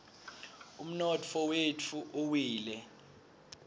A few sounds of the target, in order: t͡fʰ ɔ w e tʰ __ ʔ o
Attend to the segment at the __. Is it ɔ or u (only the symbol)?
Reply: u